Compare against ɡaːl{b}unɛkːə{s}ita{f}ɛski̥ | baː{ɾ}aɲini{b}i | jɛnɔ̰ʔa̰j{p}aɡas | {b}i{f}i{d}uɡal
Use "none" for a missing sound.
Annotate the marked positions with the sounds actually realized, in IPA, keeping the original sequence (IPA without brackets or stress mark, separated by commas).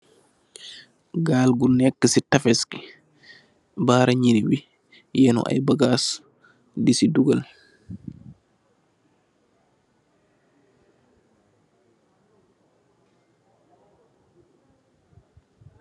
ɡ, s, f, ɾ, w, b, d, s, d